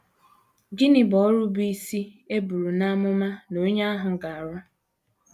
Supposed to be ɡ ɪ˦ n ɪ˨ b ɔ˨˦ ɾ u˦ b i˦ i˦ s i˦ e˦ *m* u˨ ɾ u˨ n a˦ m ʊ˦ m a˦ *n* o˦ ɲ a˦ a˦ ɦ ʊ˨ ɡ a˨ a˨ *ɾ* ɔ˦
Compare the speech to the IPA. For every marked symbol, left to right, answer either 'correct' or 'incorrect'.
incorrect, correct, correct

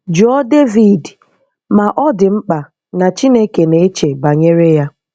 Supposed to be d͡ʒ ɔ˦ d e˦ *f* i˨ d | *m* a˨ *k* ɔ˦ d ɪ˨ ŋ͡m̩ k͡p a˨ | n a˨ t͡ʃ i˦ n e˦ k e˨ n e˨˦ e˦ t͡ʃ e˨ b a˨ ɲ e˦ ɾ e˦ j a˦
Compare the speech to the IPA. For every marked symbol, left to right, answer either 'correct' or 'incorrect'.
incorrect, correct, incorrect

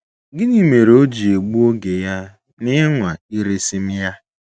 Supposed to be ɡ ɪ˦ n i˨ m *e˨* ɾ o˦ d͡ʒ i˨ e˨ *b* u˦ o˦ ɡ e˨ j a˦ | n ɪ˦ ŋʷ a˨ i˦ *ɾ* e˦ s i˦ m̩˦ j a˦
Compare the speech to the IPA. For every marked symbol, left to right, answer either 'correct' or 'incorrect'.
correct, incorrect, correct

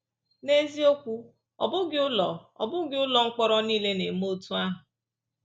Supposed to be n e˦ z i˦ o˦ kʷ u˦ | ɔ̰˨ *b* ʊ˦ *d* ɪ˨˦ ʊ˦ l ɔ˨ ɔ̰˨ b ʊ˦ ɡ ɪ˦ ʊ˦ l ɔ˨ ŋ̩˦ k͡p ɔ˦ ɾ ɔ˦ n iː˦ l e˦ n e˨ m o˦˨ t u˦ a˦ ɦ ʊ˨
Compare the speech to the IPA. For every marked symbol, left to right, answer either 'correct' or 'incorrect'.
correct, incorrect

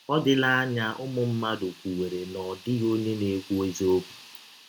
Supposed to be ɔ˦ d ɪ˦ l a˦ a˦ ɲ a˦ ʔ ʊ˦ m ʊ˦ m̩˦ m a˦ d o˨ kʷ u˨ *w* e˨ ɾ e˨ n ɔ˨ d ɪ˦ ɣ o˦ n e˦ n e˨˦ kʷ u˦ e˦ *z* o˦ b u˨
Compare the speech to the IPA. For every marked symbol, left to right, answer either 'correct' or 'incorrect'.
correct, correct

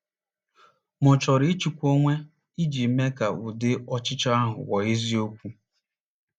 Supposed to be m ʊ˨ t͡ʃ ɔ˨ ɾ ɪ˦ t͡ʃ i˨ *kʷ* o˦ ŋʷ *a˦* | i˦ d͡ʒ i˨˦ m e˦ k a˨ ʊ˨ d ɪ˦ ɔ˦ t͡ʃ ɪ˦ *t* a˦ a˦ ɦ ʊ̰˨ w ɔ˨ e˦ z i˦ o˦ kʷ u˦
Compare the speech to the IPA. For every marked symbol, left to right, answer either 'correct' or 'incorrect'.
correct, incorrect, incorrect

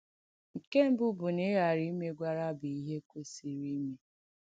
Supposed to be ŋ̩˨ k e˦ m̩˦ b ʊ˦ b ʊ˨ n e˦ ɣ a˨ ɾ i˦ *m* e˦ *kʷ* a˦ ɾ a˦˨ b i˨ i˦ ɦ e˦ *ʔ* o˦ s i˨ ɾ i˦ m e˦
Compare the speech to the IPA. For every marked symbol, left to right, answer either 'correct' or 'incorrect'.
correct, incorrect, incorrect

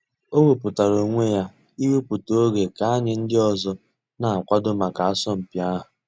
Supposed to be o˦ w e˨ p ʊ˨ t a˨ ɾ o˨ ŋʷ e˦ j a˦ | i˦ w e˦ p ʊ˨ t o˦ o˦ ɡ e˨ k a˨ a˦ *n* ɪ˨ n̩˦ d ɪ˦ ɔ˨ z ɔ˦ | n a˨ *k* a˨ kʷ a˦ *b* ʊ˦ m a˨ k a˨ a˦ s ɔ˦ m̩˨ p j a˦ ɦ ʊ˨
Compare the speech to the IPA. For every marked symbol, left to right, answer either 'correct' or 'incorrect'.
incorrect, incorrect, incorrect

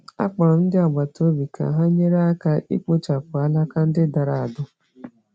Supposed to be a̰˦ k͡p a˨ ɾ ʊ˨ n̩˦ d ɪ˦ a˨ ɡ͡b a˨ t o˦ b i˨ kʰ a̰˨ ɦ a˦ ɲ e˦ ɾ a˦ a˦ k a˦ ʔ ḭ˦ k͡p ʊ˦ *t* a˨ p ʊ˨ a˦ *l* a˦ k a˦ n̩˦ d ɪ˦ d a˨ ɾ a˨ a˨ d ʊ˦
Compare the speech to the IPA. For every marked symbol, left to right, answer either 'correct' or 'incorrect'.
incorrect, correct

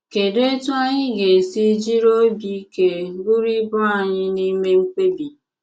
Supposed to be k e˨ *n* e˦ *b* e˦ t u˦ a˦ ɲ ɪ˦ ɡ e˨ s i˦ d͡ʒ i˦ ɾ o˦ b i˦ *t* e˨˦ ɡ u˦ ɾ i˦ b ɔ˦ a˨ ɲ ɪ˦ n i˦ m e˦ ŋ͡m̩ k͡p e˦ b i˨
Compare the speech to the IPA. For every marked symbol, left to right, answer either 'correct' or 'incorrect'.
incorrect, incorrect, incorrect

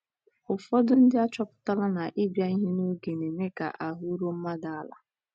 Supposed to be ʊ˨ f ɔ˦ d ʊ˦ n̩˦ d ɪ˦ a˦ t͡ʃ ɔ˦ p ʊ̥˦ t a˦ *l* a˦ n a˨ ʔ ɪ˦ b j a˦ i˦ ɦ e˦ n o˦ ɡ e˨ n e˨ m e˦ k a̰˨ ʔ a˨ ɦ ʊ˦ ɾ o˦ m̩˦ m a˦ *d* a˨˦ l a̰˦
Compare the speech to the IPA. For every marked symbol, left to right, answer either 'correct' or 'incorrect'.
correct, correct

